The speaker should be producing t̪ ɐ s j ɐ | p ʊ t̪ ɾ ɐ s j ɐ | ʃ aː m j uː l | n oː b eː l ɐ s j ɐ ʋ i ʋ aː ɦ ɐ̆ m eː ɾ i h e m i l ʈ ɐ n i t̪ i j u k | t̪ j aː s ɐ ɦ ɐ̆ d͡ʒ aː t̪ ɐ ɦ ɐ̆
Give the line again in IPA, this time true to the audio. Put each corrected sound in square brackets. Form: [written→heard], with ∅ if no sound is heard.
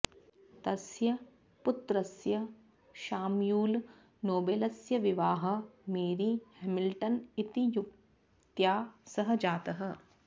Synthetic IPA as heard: t̪ ɐ s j ɐ | p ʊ t̪ ɾ ɐ s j ɐ | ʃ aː m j uː l | n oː b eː l ɐ s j ɐ ʋ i ʋ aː ɦ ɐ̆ m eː ɾ i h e m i l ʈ ɐ n i t̪ i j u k | t̪ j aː s ɐ ɦ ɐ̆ d͡ʒ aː t̪ ɐ ɦ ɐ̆